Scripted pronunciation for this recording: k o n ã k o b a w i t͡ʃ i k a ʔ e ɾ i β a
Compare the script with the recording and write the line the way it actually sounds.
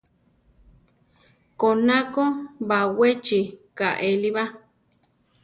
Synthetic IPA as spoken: k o n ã k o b a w e t͡ʃ i k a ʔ e l i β a